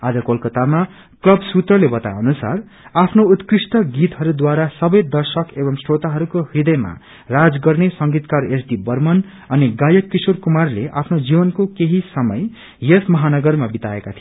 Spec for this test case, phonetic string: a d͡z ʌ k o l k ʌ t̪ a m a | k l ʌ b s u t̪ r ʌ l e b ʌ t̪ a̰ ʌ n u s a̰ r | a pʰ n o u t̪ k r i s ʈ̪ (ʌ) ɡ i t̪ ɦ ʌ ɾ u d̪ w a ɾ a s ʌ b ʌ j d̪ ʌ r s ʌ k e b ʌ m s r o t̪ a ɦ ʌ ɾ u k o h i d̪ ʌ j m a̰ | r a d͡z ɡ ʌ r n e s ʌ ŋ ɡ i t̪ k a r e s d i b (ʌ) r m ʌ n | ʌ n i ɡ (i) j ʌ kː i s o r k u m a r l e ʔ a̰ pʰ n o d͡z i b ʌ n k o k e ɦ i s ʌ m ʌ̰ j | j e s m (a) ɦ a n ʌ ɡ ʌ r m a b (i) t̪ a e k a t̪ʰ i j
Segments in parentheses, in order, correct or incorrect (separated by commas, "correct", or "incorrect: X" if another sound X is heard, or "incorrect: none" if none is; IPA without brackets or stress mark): correct, correct, incorrect: a, incorrect: ʌ, correct